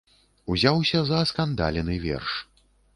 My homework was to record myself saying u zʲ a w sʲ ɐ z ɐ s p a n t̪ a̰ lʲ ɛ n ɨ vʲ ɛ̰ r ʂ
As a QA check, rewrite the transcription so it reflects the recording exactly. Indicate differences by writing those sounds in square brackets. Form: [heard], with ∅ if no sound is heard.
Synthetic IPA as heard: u zʲ a w sʲ ɐ z ɐ s [k] a n [d̪] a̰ lʲ ɛ n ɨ vʲ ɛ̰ r ʂ